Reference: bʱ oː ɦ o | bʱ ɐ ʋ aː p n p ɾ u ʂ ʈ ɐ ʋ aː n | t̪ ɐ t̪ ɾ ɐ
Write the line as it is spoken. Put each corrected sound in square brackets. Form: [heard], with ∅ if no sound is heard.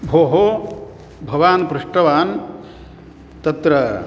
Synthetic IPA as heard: bʱ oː ɦ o | bʱ ɐ ʋ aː [∅] n p ɾ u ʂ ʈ ɐ ʋ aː n | t̪ ɐ t̪ ɾ ɐ